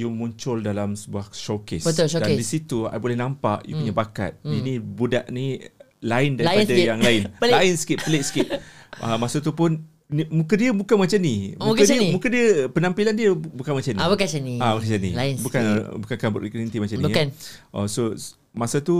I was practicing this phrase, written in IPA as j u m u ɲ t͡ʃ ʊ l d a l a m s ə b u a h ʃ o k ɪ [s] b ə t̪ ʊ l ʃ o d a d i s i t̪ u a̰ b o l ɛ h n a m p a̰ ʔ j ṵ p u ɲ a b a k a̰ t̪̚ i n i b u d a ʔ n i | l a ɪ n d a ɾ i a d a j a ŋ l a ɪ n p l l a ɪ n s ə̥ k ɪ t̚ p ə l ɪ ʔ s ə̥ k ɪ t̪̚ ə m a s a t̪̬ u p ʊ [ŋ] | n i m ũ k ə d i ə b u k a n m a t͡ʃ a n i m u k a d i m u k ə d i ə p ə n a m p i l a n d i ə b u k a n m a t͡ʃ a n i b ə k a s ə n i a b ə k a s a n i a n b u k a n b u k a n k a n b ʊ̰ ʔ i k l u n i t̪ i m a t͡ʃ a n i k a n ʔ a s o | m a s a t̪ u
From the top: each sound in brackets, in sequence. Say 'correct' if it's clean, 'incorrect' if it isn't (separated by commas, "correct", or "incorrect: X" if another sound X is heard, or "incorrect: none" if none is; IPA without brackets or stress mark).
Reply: correct, incorrect: n